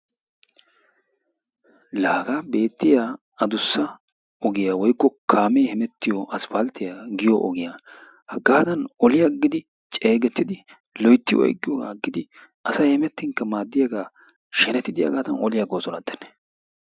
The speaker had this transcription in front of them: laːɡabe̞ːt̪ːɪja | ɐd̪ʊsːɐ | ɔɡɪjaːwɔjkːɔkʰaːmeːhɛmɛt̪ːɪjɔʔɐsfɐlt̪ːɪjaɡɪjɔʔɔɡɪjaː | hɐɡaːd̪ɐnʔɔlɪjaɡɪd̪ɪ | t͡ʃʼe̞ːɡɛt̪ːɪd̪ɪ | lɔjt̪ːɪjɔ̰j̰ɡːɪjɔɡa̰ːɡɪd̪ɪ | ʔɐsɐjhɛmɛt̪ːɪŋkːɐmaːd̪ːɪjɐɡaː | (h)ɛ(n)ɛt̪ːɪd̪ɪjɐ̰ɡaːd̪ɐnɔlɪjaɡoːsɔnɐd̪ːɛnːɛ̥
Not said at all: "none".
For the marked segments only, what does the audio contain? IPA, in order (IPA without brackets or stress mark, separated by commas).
ʃ, n